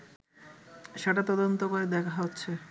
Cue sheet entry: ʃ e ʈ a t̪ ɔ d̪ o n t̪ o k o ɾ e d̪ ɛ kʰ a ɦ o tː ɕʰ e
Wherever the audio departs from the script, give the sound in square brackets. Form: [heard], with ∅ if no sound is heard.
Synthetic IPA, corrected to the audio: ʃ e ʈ a t̪ ɔ d̪ o n t̪ o k o ɾ e d̪ ɛ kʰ a ɦ o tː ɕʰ e